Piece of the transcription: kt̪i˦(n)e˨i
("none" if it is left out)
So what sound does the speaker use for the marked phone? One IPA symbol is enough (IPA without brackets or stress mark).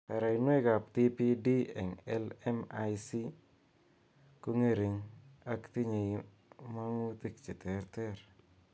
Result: ɲ